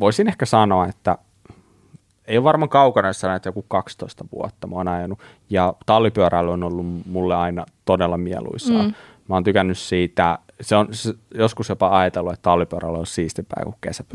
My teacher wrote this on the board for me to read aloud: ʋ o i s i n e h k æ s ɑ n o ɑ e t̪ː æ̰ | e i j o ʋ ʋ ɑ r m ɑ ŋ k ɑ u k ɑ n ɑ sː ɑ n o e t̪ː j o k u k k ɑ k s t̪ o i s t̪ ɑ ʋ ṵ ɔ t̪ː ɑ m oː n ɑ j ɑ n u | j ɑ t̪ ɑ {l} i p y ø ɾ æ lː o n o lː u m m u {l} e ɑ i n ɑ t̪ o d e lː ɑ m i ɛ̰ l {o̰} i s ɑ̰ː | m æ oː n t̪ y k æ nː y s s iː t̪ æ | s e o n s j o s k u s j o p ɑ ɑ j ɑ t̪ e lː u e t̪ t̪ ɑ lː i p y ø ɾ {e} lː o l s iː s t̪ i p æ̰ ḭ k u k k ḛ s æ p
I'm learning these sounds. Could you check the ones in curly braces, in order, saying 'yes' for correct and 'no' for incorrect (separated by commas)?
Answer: no, no, no, no